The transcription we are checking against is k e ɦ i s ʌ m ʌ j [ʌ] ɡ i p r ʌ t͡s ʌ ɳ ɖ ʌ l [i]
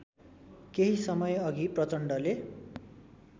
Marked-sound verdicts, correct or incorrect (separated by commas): correct, incorrect